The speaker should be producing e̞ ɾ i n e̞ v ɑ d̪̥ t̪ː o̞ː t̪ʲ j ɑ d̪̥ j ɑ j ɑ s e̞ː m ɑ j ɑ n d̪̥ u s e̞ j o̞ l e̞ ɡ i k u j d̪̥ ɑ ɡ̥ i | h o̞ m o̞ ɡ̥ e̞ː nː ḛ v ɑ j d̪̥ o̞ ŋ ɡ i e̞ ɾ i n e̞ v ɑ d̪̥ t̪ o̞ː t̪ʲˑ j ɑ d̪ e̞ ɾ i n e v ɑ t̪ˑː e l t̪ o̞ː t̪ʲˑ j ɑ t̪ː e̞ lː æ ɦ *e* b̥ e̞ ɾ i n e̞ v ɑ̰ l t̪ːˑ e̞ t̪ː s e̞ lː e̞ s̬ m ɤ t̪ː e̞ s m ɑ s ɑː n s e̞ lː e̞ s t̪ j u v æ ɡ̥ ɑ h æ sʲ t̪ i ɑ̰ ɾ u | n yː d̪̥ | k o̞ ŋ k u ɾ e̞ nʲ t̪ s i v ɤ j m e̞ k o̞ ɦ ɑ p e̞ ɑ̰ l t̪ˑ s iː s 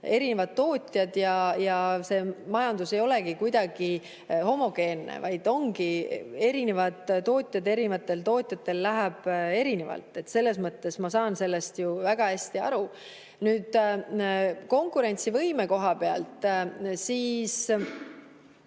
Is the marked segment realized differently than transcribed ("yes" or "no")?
yes